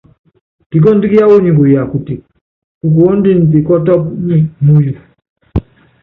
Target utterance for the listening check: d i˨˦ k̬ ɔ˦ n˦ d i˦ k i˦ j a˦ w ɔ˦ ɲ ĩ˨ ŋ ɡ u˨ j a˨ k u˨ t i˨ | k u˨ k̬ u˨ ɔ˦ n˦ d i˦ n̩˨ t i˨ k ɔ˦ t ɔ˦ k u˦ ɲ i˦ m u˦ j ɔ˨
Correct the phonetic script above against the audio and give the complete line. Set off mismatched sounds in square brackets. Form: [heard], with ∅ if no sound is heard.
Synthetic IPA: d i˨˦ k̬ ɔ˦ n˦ d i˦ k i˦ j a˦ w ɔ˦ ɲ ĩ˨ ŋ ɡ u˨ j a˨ k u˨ t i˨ | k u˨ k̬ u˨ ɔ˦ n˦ d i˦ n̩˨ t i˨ k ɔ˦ t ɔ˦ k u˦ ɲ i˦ m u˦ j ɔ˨